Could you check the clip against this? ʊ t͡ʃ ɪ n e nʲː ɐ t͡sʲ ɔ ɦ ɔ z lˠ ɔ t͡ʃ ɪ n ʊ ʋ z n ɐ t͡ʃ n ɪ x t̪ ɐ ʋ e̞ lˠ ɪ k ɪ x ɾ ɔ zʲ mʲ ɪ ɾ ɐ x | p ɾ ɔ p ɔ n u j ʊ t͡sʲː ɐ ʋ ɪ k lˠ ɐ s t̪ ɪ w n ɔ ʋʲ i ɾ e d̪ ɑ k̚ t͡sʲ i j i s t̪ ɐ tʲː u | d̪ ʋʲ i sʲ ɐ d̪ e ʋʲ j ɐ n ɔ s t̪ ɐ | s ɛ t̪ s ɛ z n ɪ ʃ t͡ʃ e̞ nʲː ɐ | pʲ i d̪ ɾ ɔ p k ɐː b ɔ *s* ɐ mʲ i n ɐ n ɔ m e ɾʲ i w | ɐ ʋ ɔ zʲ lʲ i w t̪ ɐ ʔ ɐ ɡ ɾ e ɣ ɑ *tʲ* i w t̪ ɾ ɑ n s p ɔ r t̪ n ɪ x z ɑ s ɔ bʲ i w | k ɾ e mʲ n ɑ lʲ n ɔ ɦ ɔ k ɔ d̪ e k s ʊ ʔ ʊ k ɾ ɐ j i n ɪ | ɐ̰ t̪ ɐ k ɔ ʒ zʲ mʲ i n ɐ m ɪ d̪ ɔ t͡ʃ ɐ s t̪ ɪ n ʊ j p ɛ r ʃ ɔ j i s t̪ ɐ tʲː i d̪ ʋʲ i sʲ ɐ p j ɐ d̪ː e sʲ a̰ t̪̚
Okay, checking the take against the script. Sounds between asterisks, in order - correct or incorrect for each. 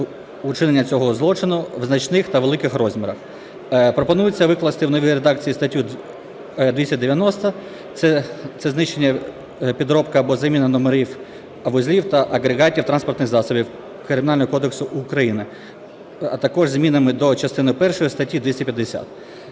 incorrect, correct

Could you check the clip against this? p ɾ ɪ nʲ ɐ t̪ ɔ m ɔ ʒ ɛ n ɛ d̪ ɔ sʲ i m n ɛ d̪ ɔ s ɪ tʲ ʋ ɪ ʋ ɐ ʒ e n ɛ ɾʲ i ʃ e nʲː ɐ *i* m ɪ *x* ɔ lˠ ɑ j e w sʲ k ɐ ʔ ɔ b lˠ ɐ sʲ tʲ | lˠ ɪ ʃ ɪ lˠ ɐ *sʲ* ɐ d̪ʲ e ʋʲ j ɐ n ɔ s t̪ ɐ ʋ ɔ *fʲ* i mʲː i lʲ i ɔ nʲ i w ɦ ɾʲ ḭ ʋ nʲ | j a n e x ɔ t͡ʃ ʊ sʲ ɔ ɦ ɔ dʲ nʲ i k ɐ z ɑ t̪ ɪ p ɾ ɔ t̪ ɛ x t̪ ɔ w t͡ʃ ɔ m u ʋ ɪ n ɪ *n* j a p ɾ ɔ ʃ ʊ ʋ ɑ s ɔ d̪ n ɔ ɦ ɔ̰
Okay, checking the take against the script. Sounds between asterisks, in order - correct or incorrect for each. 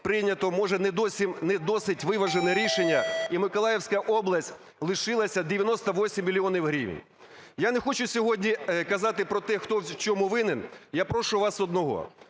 correct, incorrect, correct, incorrect, correct

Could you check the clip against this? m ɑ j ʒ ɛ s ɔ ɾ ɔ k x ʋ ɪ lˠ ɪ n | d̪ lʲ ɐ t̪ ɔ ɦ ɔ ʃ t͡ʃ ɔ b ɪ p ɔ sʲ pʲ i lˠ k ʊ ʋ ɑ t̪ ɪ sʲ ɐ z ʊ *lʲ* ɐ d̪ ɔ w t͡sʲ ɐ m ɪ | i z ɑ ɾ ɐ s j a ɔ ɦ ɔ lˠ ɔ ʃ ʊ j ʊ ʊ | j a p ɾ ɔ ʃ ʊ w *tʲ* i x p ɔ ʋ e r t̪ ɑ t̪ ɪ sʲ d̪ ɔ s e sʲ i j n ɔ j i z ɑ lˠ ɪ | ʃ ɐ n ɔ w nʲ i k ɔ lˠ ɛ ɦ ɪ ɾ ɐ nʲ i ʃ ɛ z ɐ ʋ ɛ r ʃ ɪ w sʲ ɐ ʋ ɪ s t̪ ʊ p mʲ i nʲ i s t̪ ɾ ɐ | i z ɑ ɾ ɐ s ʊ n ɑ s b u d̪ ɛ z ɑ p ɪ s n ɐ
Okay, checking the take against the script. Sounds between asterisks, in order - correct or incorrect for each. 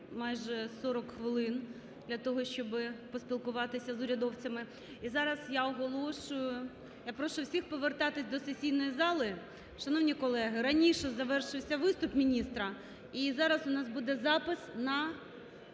incorrect, incorrect

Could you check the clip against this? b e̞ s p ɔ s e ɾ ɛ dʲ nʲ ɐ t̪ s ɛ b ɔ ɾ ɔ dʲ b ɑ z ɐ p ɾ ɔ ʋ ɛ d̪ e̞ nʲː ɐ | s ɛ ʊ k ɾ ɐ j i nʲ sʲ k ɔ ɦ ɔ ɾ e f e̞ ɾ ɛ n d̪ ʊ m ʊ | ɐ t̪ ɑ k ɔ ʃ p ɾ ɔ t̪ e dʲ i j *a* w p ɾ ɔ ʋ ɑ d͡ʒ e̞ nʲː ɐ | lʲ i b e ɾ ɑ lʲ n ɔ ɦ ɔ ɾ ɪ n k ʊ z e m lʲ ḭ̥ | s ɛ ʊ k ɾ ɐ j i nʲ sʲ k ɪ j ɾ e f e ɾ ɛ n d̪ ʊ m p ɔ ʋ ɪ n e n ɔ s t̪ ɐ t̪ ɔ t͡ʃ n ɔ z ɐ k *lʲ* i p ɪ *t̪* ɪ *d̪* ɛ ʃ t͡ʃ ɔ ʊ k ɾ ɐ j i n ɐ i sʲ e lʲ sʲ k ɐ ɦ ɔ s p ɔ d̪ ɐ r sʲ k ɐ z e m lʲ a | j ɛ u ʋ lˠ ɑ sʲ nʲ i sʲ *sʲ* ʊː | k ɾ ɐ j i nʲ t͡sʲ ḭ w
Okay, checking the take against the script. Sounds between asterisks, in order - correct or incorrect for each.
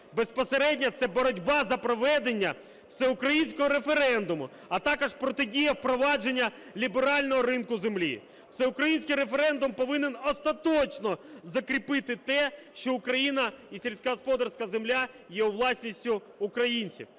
incorrect, incorrect, correct, incorrect, incorrect

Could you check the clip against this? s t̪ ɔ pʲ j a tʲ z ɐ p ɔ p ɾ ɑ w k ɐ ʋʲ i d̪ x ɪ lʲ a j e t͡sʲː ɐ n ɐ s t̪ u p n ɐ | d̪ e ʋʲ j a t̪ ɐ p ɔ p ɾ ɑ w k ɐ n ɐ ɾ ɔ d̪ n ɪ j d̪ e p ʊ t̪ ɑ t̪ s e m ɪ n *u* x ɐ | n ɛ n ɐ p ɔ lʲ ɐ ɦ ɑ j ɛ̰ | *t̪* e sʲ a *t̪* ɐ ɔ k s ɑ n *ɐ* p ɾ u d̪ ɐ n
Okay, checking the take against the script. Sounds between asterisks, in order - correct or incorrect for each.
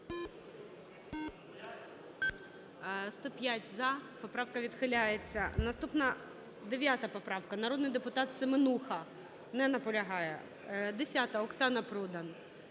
correct, incorrect, correct, correct

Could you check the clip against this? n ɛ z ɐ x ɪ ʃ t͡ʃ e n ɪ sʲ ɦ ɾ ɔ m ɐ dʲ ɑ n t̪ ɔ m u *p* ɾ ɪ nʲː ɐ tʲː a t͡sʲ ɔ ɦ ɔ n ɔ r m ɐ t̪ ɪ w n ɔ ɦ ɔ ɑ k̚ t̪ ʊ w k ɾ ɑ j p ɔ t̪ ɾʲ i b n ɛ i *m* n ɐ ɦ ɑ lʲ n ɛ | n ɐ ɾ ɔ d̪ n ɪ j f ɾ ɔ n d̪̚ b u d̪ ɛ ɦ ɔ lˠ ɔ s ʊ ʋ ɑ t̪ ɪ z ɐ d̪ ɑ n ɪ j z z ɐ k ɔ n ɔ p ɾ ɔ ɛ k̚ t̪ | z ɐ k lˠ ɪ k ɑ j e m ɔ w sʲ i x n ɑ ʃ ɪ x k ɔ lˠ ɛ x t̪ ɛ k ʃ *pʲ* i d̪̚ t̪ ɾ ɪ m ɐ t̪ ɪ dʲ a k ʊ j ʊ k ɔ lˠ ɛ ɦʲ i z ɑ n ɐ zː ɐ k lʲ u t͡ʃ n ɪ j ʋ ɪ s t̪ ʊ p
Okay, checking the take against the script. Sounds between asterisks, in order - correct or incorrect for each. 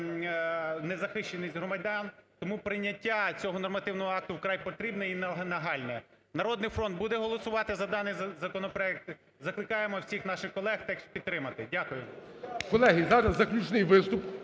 correct, incorrect, correct

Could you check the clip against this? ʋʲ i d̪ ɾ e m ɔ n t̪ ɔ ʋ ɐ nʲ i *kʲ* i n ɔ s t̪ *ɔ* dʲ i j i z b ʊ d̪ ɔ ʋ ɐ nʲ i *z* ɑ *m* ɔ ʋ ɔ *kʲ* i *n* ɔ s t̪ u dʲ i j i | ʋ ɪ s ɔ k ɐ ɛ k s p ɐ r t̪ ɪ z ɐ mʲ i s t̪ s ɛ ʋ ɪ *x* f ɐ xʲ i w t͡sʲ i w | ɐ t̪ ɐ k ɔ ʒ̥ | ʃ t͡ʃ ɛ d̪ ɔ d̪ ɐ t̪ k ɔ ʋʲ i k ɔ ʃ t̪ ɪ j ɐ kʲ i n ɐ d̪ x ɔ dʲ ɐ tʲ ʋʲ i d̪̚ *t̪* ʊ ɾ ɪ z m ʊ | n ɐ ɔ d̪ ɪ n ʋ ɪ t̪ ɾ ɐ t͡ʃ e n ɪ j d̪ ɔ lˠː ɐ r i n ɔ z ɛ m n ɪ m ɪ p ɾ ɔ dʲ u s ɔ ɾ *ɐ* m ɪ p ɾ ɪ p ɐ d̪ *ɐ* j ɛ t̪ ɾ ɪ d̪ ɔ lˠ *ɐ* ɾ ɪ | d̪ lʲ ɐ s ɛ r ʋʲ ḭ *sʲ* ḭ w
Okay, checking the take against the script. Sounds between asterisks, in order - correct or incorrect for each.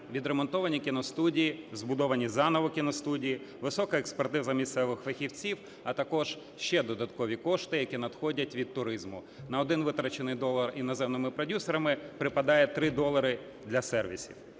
correct, incorrect, correct, incorrect, correct, correct, correct, correct, correct, incorrect, correct, correct

